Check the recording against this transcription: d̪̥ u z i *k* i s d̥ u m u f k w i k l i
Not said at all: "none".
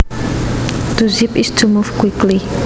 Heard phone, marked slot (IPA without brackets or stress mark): p